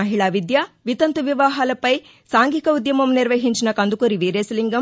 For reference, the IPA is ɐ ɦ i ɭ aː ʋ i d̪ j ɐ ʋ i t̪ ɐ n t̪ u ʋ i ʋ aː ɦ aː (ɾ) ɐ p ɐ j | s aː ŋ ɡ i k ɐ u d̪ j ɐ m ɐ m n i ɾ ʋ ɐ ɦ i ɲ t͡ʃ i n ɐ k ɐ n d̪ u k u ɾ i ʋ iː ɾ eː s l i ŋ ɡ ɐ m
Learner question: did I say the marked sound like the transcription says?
no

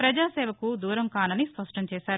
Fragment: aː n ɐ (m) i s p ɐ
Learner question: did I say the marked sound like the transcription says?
no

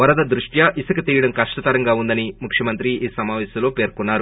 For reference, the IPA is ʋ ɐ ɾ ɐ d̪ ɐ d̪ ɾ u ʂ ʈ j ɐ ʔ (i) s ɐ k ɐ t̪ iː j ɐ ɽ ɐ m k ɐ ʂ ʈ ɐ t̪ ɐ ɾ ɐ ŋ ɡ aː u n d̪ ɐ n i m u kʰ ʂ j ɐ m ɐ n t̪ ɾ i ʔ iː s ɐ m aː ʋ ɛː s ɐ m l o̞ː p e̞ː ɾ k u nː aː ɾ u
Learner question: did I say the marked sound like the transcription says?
yes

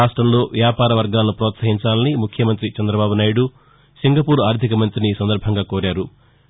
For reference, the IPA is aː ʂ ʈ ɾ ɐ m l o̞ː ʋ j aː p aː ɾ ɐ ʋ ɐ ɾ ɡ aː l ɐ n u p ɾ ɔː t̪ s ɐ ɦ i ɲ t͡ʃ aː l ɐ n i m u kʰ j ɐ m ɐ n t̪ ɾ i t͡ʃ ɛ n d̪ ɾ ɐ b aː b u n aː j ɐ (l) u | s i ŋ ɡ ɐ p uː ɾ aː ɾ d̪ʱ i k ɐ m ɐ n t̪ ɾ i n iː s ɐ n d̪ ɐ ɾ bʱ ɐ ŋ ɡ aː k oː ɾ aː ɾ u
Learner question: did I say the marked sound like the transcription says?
no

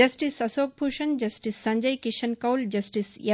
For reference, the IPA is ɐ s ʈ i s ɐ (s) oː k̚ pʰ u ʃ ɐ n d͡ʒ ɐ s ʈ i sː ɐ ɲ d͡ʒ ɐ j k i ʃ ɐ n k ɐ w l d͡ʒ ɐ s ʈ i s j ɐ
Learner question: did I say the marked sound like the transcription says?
yes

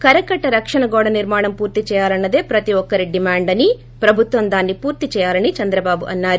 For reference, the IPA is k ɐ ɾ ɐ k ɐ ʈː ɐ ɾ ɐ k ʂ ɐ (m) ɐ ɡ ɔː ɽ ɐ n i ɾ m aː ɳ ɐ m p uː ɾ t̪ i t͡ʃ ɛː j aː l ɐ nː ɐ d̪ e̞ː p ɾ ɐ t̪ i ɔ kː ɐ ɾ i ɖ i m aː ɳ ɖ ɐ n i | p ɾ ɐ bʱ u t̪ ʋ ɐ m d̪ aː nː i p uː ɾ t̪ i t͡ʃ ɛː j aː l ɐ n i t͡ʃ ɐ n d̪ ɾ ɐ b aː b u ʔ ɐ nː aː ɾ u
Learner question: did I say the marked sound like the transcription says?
no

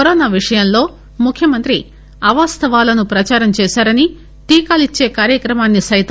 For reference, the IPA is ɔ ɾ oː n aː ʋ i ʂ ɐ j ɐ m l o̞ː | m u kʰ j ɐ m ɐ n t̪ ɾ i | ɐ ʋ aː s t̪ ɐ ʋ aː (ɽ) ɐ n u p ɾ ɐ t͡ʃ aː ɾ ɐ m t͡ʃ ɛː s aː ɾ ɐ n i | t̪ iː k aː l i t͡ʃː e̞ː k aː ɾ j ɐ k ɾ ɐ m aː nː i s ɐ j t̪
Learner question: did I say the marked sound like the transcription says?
no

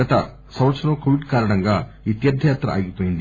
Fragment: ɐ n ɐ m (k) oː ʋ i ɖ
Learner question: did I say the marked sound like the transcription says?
yes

